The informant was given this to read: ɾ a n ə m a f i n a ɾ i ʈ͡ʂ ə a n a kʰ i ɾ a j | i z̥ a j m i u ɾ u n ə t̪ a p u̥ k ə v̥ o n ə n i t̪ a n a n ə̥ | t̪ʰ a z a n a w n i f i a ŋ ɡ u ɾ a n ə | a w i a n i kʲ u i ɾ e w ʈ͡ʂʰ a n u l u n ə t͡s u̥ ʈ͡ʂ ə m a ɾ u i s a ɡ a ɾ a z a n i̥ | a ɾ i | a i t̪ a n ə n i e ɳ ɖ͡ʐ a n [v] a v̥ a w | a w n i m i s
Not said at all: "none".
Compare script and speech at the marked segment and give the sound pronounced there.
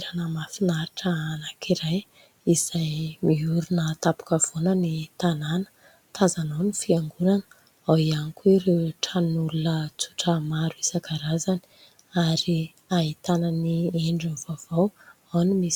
v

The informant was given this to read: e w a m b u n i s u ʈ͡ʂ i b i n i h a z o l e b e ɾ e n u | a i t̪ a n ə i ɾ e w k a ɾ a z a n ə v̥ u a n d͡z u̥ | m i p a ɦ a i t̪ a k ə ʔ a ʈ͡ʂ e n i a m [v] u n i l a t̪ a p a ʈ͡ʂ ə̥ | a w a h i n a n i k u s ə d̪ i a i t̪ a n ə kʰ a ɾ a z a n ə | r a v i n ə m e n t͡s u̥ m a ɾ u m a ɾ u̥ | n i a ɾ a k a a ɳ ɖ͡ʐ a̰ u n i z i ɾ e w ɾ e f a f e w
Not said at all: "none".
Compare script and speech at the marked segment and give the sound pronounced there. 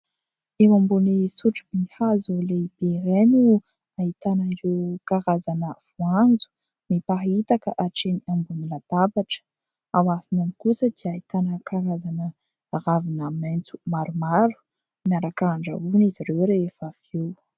b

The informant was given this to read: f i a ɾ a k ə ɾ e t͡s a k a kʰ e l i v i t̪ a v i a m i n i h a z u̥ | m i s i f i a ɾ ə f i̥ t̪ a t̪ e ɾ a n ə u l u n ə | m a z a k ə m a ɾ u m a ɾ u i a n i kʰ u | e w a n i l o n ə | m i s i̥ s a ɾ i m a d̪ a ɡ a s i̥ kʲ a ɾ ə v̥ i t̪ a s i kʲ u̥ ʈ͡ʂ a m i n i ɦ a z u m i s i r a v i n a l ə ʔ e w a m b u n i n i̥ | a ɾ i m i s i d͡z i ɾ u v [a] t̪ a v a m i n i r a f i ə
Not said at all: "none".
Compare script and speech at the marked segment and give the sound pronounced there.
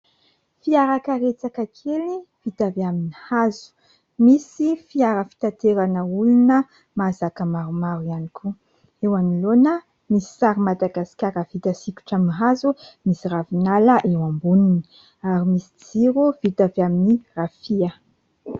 i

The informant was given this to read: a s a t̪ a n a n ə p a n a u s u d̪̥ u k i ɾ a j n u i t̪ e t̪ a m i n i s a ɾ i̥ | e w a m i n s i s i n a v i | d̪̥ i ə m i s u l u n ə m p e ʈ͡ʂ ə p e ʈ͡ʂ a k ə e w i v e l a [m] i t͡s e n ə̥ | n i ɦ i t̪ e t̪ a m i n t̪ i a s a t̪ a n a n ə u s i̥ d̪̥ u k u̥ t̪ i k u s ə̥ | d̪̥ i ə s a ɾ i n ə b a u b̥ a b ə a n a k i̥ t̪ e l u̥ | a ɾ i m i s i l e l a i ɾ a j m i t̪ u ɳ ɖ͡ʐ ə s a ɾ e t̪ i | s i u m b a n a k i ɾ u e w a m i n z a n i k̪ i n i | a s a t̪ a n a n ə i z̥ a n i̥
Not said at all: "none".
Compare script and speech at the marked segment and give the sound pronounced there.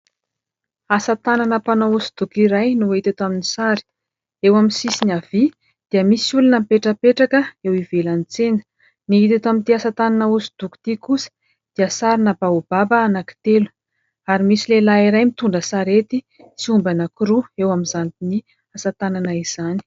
n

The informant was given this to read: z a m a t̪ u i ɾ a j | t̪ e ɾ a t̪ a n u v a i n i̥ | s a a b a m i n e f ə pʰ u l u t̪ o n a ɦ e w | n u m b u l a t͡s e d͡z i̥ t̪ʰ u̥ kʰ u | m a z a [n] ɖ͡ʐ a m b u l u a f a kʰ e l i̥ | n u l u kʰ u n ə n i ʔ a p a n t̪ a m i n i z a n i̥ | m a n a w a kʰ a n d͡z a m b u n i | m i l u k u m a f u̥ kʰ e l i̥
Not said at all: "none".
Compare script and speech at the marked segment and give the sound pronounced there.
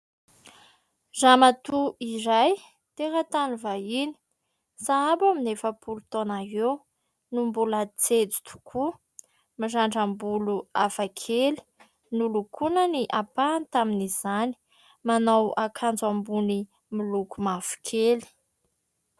ɳ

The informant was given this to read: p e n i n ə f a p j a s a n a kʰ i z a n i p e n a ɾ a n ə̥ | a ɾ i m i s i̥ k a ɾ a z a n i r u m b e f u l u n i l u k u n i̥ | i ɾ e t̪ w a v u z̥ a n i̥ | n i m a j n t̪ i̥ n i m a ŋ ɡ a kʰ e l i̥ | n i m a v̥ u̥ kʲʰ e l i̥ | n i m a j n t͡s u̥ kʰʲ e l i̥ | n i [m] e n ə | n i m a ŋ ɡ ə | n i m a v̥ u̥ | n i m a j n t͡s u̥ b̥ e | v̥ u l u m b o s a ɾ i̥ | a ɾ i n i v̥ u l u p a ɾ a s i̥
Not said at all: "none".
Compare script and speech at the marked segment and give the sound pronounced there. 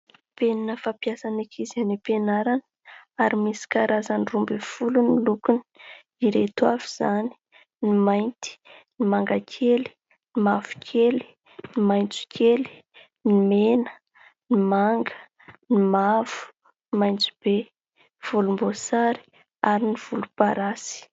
m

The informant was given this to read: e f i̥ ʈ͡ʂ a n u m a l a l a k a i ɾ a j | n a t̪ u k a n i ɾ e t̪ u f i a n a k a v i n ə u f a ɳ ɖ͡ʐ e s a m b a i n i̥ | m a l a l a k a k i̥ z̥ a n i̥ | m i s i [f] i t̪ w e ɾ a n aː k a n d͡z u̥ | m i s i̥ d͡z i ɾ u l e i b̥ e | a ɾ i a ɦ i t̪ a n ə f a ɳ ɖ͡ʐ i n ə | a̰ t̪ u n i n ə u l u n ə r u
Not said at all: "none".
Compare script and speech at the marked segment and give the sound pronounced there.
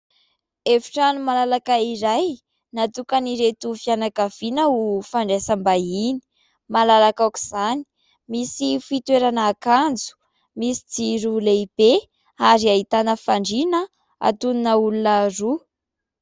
f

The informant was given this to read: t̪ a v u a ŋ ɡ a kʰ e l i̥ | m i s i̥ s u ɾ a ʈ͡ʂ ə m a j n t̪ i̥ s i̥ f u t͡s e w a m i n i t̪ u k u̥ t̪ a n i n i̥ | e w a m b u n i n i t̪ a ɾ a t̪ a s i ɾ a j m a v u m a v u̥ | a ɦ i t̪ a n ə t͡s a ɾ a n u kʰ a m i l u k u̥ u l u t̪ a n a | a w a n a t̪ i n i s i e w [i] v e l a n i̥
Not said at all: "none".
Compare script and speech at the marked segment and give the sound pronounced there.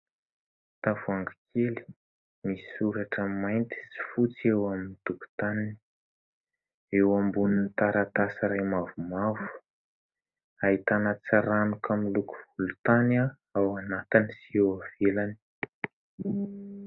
a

